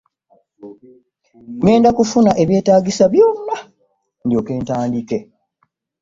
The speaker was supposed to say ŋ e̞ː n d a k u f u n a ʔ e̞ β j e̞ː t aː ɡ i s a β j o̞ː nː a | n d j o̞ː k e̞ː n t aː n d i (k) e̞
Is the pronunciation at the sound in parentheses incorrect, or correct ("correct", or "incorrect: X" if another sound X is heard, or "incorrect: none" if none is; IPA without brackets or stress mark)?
correct